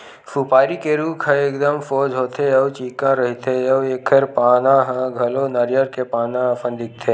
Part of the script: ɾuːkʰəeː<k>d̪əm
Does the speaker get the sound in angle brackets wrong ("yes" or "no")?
no